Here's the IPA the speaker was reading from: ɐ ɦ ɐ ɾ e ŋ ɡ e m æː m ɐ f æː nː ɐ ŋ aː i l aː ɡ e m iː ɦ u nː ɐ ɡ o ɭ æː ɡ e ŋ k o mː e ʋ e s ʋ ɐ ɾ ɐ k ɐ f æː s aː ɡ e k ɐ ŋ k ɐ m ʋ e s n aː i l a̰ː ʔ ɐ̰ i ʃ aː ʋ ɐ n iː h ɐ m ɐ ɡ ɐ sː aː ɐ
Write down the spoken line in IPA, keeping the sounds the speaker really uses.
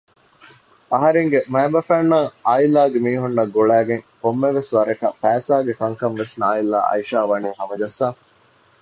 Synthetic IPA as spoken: ɐ ɦ ɐ ɾ e ŋ ɡ e m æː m ɐ f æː nː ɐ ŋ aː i l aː ɡ e m iː ɦ u nː ɐ ɡ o ɭ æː ɡ e ŋ k o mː e ʋ e s ʋ ɐ ɾ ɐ k ɐ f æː s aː ɡ e k ɐ ŋ k ɐ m ʋ e s n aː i l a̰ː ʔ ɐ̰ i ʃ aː ʋ ɐ n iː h ɐ m ɐ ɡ ɐ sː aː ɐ